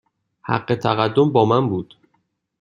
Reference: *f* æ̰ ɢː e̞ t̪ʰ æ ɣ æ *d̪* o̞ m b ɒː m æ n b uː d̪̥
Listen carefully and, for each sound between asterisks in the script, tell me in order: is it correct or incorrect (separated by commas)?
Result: incorrect, incorrect